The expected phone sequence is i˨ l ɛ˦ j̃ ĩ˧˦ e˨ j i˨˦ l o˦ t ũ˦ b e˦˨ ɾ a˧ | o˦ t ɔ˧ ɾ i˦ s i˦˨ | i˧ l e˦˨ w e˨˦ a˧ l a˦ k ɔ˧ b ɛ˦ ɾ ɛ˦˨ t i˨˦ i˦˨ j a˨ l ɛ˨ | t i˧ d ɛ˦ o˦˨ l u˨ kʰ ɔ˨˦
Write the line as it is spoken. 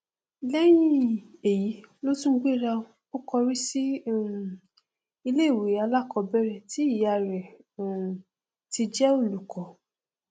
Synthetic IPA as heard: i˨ l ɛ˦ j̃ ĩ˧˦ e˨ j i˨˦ l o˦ t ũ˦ ɡ͡b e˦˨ ɾ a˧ | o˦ k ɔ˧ ɾ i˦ s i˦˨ | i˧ l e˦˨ w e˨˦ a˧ l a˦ k ɔ˧ b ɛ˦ ɾ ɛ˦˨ t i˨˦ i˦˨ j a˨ ɾ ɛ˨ | t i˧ d͡ʒ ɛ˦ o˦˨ l u˨ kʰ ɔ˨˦